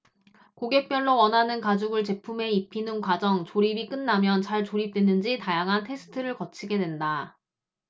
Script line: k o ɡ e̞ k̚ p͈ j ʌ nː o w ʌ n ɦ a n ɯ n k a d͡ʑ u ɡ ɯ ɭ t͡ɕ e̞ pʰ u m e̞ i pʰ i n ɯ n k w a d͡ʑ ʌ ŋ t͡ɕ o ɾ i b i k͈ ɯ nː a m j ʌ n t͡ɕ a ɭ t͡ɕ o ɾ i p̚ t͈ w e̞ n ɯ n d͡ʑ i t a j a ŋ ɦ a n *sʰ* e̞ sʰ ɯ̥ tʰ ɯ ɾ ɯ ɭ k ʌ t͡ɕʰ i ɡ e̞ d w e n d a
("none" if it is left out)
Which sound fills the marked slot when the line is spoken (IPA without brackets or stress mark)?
tʰ